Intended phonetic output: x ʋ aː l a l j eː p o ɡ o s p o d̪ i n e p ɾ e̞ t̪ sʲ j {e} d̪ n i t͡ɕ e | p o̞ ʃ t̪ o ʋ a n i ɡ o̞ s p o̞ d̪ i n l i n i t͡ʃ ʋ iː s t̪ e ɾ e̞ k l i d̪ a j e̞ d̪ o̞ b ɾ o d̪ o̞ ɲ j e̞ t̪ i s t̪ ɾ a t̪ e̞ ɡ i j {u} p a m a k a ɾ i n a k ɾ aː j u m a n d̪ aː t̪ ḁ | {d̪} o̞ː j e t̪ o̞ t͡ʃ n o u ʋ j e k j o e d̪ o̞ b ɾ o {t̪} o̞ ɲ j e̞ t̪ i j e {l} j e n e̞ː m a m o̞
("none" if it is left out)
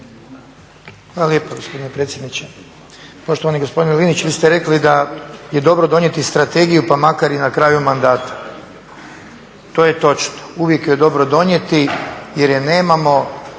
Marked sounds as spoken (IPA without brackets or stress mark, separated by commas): e, u, t̪, d̪, ɾ